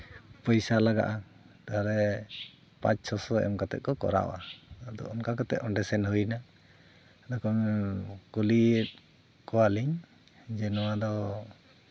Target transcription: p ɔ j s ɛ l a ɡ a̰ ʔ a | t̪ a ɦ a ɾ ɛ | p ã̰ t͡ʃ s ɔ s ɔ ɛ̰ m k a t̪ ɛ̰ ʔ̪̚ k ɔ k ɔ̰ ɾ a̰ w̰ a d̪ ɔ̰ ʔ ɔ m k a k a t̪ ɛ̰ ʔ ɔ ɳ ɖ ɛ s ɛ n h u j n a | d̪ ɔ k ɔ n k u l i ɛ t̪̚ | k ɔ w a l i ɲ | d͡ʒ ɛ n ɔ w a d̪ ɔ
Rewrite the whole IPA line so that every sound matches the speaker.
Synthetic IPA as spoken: p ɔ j s a l a ɡ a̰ ʔ a | t̪ a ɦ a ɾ ɛ | p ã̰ t͡ʃ s ɔ s ɔ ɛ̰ m k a t̪ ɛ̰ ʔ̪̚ k ɔ k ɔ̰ ɾ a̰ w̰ a d̪ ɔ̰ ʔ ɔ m k a k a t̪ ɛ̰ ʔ ɔ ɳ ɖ ɛ s ɛ n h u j n a | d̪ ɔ k ɔ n k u l i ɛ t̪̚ | k ɔ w a l i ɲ | d͡ʒ ɛ n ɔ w a d̪ ɔ